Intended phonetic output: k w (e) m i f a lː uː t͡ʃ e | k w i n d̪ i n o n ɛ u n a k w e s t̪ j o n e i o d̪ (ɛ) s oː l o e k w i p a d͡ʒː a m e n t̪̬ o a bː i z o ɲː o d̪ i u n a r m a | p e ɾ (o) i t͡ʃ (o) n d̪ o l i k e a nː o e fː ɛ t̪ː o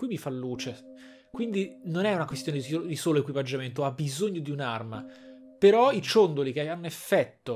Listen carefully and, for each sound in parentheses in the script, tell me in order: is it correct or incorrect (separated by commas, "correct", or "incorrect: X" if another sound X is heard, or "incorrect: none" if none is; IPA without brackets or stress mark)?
incorrect: i, incorrect: i, incorrect: ɔ, correct